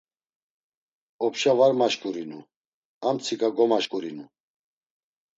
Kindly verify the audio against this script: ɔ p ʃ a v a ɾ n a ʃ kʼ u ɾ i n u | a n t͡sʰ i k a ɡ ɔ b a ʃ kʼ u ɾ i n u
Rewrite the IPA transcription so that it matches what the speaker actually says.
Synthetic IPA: ɔ p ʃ a v a ɾ m a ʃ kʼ u ɾ i n u | a m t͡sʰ i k a ɡ ɔ m a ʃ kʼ u ɾ i n u

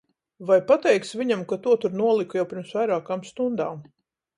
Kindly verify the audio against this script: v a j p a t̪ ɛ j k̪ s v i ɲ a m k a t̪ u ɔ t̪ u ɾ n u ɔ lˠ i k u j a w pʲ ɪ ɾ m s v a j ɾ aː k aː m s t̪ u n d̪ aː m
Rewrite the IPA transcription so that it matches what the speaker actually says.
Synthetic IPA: v a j p a t̪ ɛ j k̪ s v i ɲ a m k a t̪ u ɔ t̪ u ɾ n u ɔ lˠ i k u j a w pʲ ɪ ɾ m s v a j ɾ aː k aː m s t̪ u n d̪ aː m

